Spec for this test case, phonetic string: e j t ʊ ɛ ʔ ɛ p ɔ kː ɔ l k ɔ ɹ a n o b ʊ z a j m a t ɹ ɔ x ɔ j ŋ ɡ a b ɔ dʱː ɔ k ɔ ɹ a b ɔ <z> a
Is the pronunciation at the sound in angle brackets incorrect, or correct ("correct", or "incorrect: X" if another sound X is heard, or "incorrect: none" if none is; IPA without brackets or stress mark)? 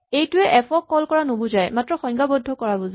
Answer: correct